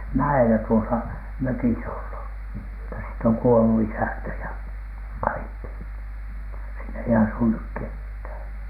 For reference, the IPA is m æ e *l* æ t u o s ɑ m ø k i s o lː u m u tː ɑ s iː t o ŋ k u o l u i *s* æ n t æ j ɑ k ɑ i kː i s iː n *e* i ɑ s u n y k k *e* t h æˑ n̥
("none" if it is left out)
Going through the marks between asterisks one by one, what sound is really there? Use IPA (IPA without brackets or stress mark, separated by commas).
l, s, e, e